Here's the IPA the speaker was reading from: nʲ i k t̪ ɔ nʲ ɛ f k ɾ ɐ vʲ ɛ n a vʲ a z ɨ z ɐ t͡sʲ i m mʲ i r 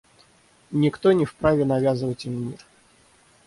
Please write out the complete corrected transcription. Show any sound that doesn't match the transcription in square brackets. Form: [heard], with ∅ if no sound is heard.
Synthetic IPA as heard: nʲ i k t̪ ɔ nʲ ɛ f [p] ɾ [a] vʲ ɛ n a vʲ a z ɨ [v] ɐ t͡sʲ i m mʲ i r